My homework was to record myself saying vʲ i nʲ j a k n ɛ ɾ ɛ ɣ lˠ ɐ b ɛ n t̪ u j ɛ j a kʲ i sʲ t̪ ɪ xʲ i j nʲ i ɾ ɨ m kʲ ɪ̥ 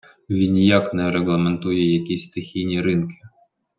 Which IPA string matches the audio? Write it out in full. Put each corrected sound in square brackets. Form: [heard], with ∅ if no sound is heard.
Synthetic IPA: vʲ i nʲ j a k n ɛ ɾ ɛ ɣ lˠ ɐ [m] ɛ n t̪ u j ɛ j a kʲ i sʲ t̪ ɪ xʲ i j nʲ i ɾ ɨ [n] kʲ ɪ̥